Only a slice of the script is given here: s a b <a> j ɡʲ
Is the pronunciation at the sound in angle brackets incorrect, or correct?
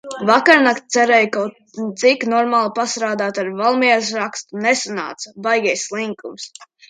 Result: correct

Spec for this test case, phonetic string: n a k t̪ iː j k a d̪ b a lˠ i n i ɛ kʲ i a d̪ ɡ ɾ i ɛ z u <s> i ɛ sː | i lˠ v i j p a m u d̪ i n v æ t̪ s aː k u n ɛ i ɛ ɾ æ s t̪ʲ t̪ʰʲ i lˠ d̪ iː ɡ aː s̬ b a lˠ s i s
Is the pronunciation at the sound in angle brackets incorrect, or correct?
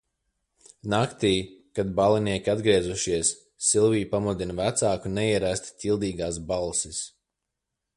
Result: incorrect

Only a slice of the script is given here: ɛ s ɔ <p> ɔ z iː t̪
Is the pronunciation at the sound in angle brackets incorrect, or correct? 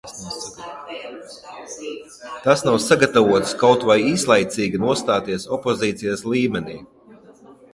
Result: correct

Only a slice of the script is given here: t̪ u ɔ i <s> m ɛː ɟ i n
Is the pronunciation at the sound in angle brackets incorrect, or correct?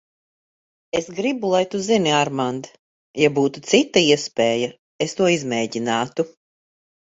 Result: incorrect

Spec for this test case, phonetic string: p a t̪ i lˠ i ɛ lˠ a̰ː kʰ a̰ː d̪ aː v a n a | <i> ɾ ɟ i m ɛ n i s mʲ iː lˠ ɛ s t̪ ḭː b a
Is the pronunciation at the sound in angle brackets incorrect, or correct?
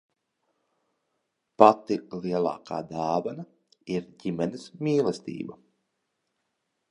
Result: correct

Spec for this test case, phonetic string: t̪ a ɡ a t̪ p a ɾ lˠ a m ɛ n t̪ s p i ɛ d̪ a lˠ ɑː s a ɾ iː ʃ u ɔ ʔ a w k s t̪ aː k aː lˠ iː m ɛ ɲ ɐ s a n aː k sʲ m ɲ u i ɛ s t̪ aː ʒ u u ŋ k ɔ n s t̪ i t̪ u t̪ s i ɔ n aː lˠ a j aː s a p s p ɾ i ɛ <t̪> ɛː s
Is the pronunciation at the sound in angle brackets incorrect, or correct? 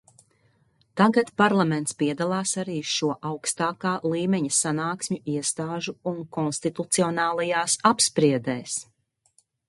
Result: incorrect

